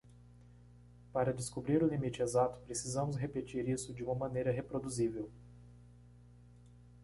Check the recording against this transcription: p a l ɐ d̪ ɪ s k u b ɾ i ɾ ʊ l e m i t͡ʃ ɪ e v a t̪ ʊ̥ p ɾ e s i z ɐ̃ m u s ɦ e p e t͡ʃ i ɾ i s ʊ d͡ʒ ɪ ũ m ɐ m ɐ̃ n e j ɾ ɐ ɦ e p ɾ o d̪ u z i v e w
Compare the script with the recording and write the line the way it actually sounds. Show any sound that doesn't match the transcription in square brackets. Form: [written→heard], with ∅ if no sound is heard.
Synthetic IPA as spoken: p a [l→ɾ] ɐ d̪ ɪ s k u b ɾ i ɾ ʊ l [e→i] m i t͡ʃ ɪ e [v→z] a t̪ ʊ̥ p ɾ e s i z ɐ̃ m [u→ʊ] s ɦ e p e t͡ʃ i ɾ i s ʊ d͡ʒ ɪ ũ m ɐ m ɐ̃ n e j ɾ ɐ ɦ e p ɾ o d̪ u z i v e w